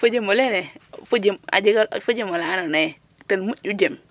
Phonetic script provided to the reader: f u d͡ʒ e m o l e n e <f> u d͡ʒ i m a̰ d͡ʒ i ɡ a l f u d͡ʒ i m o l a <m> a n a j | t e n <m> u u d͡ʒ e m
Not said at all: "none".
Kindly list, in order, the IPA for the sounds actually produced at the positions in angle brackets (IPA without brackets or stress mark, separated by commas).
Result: f, n, m